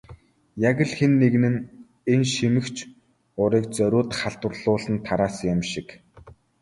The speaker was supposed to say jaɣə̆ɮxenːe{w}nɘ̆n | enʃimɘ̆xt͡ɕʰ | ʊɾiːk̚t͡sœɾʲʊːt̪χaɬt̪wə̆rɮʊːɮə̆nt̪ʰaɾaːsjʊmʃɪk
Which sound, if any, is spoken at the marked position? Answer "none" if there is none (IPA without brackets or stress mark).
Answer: ɣ